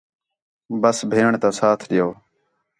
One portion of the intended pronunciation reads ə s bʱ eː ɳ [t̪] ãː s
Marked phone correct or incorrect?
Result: correct